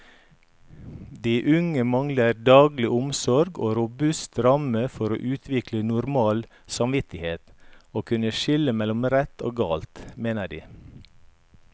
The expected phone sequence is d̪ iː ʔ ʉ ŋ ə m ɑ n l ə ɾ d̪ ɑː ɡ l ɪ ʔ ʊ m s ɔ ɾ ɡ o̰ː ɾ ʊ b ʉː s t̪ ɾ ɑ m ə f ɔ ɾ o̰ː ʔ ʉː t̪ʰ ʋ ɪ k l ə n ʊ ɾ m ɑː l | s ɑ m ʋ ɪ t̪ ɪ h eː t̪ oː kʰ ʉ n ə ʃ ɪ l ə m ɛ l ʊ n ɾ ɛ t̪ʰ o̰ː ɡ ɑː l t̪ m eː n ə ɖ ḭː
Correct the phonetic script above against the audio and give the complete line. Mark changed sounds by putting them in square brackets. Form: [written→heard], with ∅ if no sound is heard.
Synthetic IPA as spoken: d̪ iː ʔ ʉ ŋ ə m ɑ [n→ŋ] l ə ɾ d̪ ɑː ɡ l ɪ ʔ ʊ m s ɔ ɾ ɡ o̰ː ɾ ʊ b [ʉː→ʉ] s t̪ ɾ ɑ m ə f ɔ ɾ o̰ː ʔ ʉː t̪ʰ ʋ ɪ k l ə n ʊ ɾ m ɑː l | s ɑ m ʋ ɪ t̪ ɪ h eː t̪ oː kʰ ʉ n ə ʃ ɪ l ə m ɛ l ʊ [n→m] ɾ ɛ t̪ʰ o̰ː ɡ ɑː l t̪ m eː n ə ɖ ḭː

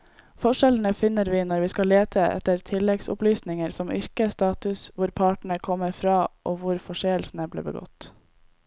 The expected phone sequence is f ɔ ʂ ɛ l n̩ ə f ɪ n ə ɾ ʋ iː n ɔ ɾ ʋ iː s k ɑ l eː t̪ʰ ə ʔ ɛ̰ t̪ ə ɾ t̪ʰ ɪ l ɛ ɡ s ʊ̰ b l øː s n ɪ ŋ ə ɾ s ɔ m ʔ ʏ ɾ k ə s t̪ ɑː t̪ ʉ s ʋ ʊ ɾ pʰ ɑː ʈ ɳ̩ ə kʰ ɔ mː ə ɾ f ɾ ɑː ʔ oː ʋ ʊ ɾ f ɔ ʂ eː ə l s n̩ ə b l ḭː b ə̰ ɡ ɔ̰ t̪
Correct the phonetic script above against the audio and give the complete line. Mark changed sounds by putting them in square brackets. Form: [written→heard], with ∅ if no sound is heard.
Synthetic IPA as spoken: f ɔ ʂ ɛ l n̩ ə f ɪ n ə ɾ ʋ iː n ɔ ɾ ʋ iː s k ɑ l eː t̪ʰ ə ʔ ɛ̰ t̪ ə ɾ t̪ʰ ɪ l ɛ ɡ s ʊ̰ [b→p] l [øː→yː] s n ɪ ŋ ə ɾ s ɔ m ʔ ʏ ɾ k ə s t̪ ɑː t̪ ʉ s ʋ ʊ ɾ pʰ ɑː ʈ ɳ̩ ə kʰ ɔ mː ə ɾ f ɾ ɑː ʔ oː ʋ ʊ ɾ f ɔ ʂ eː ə l s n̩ ə b l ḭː b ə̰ ɡ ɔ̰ t̪

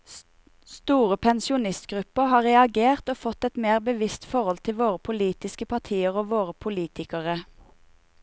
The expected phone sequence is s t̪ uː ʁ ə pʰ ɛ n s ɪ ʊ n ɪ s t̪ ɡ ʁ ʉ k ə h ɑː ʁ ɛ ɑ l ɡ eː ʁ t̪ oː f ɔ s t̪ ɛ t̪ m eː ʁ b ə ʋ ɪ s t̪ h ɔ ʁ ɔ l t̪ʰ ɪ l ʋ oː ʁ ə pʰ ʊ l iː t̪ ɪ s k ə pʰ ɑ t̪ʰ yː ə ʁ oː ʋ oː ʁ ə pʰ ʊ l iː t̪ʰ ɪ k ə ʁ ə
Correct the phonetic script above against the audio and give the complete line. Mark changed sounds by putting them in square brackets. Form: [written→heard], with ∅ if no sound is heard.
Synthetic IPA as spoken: s t̪ uː ʁ ə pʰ ɛ n s ɪ ʊ n ɪ s t̪ ɡ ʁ ʉ [k→p] ə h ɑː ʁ ɛ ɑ [l→∅] ɡ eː ʁ t̪ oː f ɔ [s→∅] t̪ ɛ t̪ m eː ʁ b ə ʋ ɪ s t̪ [h→f] ɔ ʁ ɔ l t̪ʰ ɪ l ʋ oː ʁ ə pʰ ʊ l iː t̪ ɪ s k ə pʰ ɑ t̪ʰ [yː→iː] ə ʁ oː ʋ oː ʁ ə pʰ ʊ l iː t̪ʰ ɪ k ə ʁ ə

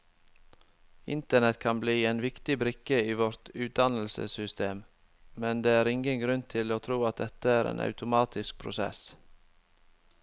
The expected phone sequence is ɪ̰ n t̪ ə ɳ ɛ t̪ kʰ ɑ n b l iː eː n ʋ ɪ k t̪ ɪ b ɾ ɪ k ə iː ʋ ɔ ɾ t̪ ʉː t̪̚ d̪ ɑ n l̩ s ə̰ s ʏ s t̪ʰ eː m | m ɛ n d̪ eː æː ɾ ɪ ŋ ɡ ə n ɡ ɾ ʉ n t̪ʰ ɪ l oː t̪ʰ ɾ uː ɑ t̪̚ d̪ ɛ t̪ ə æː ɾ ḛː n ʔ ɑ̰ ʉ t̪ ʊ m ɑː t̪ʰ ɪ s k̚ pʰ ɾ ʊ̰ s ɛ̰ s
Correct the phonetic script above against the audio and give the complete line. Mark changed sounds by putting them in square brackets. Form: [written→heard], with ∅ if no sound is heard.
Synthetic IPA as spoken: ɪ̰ n t̪ ə ɳ ɛ t̪ kʰ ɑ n b l iː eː n ʋ ɪ k t̪ ɪ b ɾ ɪ k ə iː ʋ ɔ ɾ t̪ ʉː t̪̚ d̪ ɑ n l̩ s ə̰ s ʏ s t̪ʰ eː m | m ɛ n d̪ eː æː ɾ ɪ ŋ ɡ ə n ɡ ɾ ʉ n t̪ʰ ɪ l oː t̪ʰ ɾ uː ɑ t̪̚ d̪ ɛ t̪ ə æː ɾ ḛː n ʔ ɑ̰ ʉ t̪ ʊ m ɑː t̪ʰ ɪ s k̚ pʰ ɾ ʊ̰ s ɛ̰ s

